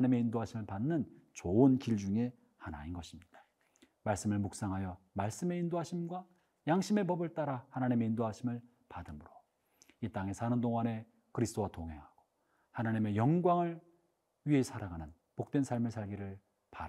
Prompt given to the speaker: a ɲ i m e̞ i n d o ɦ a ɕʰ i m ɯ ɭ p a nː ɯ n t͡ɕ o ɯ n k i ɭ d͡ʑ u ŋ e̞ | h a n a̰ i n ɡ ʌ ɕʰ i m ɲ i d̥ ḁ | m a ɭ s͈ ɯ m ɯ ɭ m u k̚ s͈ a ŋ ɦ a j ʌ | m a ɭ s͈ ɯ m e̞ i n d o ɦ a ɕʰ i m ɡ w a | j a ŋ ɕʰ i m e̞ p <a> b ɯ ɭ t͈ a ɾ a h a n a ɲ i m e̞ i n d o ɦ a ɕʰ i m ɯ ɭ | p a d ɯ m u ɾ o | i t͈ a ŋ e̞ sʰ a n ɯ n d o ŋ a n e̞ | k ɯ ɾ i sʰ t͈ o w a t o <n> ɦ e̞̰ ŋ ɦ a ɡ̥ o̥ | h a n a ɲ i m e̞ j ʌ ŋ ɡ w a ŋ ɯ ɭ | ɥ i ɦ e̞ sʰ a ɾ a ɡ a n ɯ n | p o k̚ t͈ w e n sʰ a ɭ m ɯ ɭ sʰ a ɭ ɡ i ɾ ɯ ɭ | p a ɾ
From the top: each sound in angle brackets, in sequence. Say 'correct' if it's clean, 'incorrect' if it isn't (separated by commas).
incorrect, incorrect